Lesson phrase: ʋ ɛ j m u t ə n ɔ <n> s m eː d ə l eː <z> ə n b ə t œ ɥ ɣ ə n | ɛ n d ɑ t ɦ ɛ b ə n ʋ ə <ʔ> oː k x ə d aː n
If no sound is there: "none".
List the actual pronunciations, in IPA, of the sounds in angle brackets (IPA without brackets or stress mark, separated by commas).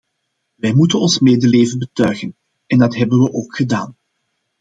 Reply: n, v, ʔ